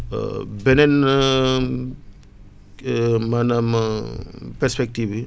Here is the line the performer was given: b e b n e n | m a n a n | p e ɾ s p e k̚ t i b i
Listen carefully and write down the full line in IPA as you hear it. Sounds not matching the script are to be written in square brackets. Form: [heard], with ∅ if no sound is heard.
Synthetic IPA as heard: b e [∅] n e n | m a n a [m] | p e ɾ s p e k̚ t i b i